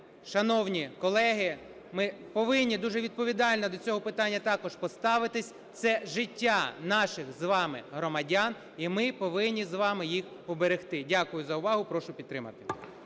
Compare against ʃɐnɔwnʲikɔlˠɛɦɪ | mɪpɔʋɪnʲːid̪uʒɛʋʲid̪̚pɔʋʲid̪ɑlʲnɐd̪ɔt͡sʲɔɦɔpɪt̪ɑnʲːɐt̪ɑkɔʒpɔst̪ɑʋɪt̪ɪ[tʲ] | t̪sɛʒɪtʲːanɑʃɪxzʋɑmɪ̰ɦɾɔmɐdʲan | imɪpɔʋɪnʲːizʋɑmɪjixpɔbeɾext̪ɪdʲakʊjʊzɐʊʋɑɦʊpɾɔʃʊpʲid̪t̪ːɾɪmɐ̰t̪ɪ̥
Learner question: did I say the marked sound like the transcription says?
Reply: no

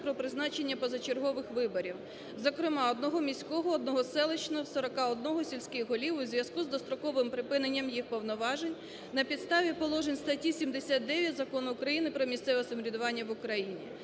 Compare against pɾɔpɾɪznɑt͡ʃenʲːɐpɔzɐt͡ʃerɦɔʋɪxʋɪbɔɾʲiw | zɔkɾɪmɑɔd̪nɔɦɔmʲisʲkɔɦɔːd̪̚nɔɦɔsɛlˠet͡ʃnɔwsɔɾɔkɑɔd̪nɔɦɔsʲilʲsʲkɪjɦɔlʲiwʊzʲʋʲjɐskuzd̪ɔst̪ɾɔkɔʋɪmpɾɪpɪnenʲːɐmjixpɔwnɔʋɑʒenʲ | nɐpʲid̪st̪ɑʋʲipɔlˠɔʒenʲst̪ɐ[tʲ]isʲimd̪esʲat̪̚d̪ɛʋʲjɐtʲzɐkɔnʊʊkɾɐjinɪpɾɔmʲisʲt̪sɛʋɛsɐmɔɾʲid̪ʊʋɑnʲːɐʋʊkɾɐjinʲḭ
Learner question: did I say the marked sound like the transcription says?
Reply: yes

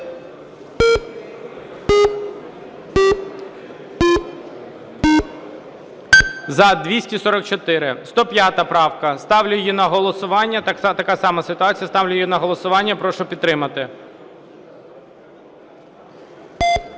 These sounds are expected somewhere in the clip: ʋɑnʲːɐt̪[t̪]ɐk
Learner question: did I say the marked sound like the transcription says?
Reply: yes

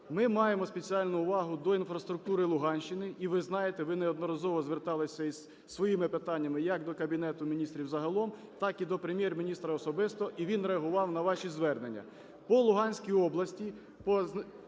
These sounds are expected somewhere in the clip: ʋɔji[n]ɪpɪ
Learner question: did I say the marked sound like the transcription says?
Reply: no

